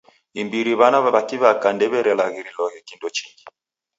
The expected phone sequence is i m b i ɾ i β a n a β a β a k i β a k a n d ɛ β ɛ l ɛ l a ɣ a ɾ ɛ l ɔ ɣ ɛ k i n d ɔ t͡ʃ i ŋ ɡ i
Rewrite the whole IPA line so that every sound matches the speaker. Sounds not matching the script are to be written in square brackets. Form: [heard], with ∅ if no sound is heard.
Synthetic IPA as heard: i m b i ɾ i β a n a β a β a k i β a k a n d ɛ β ɛ [ɾ] ɛ l a ɣ [i] ɾ [i] l ɔ ɣ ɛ k i n d ɔ t͡ʃ i ŋ ɡ i